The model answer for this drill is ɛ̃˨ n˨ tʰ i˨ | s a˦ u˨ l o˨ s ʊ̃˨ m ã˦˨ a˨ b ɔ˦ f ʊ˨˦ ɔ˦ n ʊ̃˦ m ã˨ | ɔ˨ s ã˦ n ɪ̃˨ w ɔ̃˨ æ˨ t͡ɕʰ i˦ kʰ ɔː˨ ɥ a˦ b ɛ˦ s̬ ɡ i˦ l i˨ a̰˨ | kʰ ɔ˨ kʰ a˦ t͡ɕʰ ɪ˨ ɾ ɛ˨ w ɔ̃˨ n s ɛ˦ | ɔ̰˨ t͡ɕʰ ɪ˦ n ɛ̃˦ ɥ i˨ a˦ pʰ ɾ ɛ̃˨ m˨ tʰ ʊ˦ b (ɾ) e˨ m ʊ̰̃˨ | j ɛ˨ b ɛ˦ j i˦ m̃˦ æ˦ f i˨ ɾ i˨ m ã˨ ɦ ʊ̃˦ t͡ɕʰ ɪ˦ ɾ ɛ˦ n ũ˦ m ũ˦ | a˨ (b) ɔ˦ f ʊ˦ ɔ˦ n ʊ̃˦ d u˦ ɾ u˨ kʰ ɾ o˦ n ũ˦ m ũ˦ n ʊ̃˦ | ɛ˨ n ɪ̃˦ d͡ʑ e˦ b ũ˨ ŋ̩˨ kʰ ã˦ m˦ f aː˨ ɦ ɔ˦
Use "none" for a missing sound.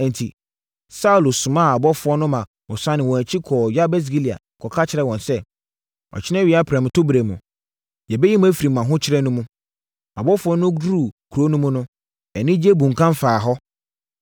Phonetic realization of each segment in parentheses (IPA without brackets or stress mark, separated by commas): ɾ, b